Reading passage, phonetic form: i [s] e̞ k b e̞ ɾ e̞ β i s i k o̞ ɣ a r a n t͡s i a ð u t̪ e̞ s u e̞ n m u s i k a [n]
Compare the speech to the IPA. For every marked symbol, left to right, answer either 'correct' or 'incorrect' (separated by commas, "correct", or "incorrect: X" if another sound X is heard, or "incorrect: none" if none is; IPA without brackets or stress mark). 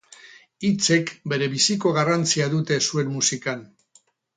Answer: incorrect: t͡s, correct